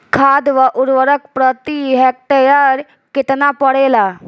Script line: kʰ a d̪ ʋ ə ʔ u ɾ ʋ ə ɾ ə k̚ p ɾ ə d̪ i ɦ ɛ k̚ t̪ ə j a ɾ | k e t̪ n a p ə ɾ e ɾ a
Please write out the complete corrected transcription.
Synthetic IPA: kʰ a d̪ ʋ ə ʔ u ɾ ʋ ə ɾ ə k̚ p ɾ ə t̪ i ɦ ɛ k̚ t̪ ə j a ɾ | k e t̪ n a p ə ɽ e l a